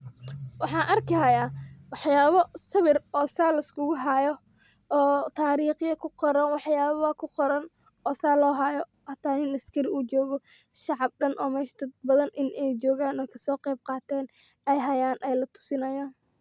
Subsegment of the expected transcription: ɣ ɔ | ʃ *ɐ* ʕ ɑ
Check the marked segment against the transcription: incorrect: ɑ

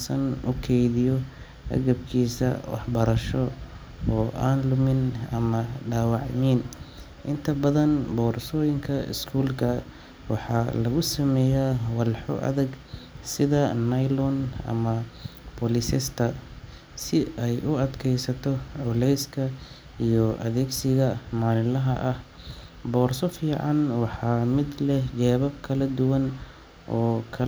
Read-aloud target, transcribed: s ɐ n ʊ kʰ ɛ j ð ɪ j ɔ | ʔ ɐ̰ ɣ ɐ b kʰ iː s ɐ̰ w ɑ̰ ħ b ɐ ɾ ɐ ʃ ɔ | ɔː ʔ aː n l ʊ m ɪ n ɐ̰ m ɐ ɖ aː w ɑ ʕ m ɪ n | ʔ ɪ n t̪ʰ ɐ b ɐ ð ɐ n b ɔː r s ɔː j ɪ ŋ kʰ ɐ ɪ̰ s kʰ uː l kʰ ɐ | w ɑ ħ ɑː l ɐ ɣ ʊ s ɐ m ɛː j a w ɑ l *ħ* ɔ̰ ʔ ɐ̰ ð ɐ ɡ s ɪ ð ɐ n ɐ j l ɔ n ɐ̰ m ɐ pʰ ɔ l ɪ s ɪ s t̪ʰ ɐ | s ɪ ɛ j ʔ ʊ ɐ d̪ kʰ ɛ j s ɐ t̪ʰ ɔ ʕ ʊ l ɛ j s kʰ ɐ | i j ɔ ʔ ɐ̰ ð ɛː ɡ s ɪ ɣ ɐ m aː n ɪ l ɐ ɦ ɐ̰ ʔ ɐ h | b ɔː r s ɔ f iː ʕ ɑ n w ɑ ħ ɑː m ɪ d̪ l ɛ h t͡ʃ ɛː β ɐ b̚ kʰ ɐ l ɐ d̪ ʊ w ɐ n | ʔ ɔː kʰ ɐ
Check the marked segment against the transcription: correct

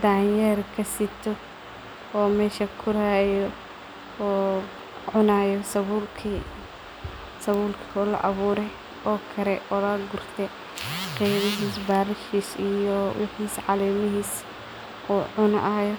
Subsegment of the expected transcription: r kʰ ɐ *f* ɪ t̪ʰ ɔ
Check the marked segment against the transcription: incorrect: s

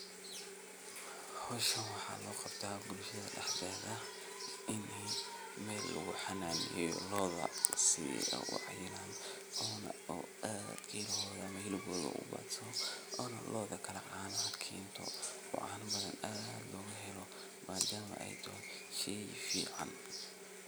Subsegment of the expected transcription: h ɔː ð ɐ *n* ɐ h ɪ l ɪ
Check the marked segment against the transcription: incorrect: m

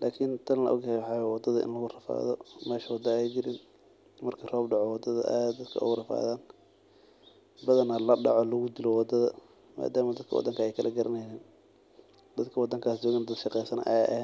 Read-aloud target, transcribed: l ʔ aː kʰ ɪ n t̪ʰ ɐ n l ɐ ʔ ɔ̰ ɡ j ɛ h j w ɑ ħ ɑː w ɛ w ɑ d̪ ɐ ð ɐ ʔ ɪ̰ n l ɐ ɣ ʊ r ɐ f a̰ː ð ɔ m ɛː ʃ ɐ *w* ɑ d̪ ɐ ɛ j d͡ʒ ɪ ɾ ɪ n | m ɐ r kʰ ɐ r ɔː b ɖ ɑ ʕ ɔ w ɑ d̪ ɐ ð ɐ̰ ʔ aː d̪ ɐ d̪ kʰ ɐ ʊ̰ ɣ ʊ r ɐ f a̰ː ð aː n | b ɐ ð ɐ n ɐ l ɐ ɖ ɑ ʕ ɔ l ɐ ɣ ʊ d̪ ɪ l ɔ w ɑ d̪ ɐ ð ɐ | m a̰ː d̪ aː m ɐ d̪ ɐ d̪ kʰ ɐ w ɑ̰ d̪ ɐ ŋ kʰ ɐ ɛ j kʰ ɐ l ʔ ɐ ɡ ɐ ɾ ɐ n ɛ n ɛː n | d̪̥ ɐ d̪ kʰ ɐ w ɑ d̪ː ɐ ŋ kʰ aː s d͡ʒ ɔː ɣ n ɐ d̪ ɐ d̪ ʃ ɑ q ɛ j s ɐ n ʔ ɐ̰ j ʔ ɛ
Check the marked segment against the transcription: correct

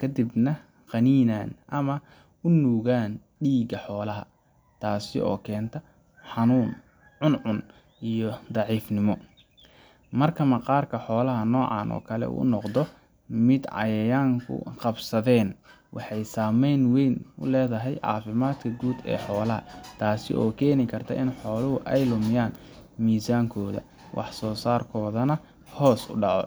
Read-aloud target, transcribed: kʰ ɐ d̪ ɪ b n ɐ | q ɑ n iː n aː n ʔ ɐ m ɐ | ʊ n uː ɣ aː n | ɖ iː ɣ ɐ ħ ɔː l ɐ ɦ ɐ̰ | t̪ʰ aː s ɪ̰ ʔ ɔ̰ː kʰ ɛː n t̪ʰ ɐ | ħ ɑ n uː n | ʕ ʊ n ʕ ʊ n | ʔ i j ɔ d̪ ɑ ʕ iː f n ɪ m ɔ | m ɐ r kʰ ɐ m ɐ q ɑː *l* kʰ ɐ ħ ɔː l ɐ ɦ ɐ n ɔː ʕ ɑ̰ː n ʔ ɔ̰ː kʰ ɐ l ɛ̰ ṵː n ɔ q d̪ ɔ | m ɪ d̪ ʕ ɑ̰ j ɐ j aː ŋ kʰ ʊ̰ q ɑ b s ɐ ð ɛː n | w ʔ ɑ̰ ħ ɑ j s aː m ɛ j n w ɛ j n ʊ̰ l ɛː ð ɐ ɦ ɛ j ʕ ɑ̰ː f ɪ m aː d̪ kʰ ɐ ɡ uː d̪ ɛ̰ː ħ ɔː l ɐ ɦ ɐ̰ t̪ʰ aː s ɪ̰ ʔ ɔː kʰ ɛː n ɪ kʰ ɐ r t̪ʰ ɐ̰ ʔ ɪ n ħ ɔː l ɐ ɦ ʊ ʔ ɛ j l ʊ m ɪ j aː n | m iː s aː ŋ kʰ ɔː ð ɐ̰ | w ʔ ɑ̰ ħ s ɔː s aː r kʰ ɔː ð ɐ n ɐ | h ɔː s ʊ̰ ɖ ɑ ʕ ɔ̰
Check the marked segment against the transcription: incorrect: r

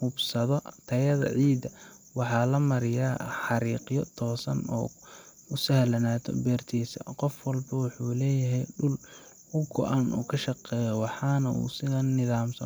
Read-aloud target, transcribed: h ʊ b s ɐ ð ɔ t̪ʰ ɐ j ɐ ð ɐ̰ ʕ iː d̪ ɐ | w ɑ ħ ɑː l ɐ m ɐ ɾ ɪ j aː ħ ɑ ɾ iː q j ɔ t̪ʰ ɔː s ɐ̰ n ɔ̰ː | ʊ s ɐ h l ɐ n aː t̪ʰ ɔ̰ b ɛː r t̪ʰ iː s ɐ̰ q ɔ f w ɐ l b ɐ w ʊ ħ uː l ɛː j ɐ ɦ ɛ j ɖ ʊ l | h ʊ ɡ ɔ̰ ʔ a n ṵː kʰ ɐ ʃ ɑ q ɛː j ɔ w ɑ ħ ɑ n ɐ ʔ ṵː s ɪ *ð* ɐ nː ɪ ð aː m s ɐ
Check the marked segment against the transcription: correct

